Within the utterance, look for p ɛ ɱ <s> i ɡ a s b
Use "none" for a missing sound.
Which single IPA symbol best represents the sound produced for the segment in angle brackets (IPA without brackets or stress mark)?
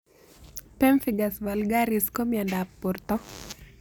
f